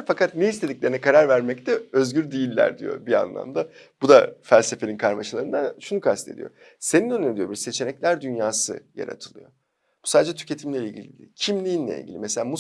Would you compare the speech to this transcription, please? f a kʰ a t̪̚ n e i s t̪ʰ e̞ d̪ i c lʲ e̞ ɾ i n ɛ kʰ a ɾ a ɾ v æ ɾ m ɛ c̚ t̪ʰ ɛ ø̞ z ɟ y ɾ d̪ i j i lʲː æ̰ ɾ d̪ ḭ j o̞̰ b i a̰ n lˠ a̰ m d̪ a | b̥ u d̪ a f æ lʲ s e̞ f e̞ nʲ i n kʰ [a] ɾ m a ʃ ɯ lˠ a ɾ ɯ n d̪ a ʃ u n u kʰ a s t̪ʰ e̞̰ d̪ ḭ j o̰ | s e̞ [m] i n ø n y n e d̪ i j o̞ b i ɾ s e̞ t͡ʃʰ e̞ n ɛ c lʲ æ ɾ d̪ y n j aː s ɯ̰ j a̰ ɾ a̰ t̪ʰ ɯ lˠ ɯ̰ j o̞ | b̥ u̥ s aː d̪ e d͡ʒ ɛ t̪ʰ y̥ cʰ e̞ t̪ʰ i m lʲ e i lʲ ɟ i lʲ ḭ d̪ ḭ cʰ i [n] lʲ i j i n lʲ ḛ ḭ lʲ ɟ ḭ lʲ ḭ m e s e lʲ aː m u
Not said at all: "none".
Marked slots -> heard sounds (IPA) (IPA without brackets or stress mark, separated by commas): a, n, m